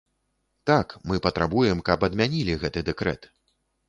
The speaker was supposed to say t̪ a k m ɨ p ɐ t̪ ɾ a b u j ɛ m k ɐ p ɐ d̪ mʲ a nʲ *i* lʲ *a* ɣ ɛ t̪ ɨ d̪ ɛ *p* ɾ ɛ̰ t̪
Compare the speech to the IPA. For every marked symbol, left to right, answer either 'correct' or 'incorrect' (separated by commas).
correct, incorrect, incorrect